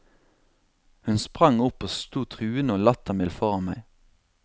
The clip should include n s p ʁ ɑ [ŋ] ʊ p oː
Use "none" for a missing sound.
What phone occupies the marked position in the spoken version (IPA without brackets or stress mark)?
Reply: ŋ